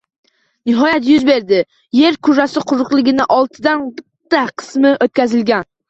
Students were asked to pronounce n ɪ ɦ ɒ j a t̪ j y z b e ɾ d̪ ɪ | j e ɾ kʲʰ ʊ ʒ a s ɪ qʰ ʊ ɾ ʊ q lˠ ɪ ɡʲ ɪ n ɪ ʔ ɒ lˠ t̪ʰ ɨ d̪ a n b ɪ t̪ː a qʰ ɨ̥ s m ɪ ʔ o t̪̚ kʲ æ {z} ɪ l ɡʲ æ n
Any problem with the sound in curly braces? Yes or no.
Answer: no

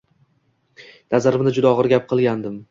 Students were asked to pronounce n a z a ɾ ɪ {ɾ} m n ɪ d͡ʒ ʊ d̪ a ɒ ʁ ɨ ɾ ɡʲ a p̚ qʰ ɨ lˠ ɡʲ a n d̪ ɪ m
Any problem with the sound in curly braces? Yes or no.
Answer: yes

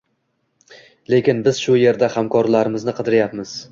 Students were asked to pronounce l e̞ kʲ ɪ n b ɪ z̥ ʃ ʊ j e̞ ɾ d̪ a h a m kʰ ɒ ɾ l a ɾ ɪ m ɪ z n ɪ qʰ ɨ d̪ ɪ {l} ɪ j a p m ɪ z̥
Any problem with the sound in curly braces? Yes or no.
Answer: yes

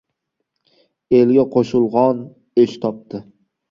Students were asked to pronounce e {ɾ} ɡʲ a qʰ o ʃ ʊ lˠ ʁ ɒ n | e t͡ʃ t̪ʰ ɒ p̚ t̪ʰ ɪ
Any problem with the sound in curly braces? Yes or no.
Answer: yes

